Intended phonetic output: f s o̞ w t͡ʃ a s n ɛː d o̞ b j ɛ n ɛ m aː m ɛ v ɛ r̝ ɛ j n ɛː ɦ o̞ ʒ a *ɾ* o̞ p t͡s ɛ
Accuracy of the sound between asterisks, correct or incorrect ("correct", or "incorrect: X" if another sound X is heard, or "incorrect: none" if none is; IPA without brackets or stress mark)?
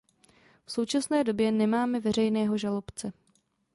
incorrect: l